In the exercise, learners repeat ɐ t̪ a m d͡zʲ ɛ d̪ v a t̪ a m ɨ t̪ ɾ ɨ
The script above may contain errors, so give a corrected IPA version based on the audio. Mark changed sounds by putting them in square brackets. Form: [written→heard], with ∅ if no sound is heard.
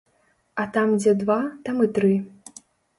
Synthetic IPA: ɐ t̪ a m d͡zʲ ɛ d̪ v a t̪ a m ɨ t̪ ɾ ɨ